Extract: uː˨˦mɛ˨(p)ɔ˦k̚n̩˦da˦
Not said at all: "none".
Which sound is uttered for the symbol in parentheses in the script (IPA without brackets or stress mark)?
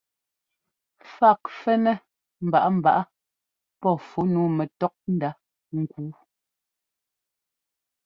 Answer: t